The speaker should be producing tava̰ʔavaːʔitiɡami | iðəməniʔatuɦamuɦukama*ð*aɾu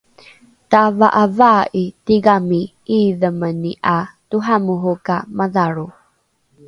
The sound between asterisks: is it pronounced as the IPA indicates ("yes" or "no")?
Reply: yes